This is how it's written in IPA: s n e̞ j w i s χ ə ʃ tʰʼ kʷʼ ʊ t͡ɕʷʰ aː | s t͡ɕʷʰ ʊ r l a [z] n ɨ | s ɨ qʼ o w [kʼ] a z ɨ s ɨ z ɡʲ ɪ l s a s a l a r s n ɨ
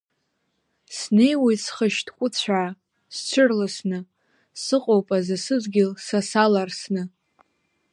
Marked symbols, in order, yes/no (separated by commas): no, no